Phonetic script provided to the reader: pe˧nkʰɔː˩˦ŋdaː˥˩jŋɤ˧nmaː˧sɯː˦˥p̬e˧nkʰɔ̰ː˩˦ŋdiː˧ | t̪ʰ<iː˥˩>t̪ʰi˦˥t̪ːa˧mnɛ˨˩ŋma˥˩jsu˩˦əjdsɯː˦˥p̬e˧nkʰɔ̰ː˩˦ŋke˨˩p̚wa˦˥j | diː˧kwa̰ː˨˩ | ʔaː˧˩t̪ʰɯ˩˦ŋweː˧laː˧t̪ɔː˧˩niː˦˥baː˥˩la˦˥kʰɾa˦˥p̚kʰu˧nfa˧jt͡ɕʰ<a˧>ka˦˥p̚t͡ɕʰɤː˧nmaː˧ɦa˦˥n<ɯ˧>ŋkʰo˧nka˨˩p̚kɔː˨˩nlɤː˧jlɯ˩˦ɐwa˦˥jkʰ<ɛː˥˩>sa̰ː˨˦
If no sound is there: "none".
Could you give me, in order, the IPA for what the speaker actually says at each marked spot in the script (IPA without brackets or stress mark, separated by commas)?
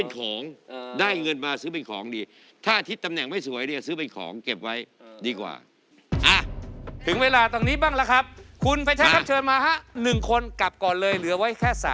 aː˥˩, a˦˥, ɯ˨˩, ɛː˥˩